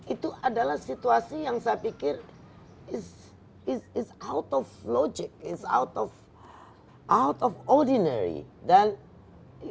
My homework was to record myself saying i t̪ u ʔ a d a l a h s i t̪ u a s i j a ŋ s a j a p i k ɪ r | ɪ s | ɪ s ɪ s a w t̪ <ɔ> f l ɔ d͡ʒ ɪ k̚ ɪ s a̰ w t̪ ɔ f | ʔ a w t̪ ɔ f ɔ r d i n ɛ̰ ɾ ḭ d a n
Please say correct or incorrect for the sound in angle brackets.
correct